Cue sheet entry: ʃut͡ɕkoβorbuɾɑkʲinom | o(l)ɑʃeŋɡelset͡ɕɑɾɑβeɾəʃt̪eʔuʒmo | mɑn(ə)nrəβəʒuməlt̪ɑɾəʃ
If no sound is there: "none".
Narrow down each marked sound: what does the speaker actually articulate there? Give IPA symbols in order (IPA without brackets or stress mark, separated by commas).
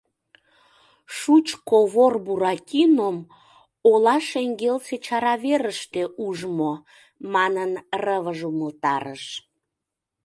l, ə